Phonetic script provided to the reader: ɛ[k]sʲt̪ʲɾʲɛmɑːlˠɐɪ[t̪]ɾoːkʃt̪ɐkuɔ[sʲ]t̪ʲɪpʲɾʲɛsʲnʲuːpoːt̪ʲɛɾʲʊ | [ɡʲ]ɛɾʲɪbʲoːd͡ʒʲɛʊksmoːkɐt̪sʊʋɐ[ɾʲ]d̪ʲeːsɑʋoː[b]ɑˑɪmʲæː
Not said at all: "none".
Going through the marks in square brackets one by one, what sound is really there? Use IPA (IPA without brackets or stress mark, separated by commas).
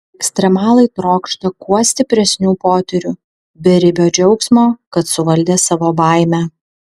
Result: k, t̪, sʲ, bʲ, lʲ, b